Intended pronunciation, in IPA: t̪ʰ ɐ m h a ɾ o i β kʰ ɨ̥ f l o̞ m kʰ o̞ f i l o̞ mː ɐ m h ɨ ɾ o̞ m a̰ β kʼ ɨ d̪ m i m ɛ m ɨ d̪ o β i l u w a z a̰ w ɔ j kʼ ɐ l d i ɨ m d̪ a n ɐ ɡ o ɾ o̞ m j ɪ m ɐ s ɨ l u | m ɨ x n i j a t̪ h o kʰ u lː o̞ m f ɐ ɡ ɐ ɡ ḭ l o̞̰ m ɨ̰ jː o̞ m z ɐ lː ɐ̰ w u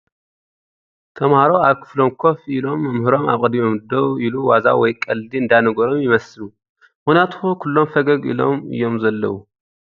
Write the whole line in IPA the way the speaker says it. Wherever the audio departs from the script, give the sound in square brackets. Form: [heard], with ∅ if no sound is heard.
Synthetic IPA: t̪ʰ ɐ m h a ɾ o [a] β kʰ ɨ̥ f l o̞ m kʰ o̞ f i l o̞ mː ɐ m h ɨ ɾ o̞ m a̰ β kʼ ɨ d̪ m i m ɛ m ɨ d̪ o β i l u w a z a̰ w ɔ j kʼ ɐ l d i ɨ [n] d̪ a n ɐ ɡ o ɾ o̞ m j ɪ m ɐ s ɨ l u | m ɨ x n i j a t̪ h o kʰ u lː o̞ m f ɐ ɡ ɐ ɡ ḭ l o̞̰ m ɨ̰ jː o̞ m z ɐ lː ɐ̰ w u